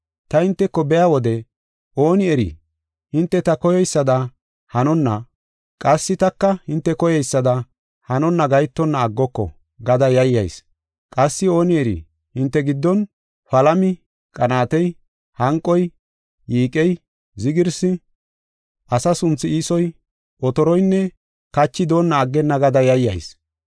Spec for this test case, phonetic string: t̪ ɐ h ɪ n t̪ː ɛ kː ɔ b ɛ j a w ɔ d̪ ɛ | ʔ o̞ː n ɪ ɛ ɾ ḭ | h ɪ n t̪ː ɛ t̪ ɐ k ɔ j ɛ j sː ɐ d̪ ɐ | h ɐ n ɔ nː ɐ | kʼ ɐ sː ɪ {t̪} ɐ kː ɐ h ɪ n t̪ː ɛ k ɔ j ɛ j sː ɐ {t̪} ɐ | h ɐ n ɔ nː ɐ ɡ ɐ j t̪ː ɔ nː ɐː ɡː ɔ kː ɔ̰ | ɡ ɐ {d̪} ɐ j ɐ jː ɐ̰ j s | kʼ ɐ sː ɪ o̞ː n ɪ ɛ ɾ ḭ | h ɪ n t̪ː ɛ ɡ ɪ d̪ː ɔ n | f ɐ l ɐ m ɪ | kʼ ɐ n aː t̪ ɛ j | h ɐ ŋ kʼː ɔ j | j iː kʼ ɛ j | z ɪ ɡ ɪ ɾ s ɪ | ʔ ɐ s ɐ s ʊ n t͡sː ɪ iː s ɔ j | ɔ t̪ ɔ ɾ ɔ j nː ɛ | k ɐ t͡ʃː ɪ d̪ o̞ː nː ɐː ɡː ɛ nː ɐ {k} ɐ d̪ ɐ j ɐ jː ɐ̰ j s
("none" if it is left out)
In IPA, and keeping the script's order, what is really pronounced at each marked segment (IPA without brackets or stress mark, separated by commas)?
t̪, d̪, d̪, ɡ